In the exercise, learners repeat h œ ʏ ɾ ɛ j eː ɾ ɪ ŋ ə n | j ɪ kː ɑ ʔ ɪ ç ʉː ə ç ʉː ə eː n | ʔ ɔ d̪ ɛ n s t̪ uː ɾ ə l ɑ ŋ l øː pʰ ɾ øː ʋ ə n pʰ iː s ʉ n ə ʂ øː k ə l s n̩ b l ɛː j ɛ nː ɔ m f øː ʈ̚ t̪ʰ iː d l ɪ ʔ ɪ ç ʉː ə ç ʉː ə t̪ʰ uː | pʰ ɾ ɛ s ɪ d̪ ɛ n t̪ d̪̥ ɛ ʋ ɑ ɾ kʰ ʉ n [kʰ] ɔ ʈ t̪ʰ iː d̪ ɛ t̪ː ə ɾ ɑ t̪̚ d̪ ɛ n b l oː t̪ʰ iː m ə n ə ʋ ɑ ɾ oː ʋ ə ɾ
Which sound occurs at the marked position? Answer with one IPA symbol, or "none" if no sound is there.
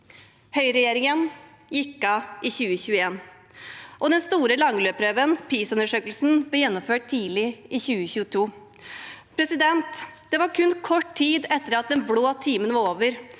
kʰ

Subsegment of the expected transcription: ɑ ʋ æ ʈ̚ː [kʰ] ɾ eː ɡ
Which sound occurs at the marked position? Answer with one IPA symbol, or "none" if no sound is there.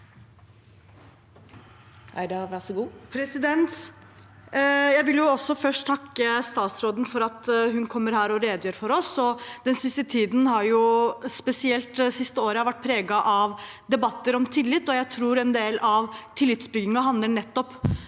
pʰ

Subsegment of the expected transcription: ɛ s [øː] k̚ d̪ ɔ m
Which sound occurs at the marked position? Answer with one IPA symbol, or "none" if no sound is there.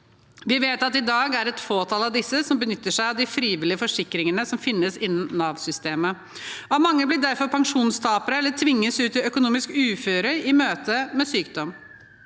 yː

